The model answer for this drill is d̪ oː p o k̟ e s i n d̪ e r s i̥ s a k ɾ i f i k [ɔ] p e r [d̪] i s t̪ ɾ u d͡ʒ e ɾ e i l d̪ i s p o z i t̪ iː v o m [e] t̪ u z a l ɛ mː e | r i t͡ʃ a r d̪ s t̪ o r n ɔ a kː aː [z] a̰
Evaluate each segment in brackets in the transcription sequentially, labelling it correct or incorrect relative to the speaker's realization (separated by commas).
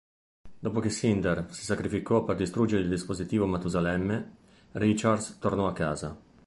correct, correct, incorrect, correct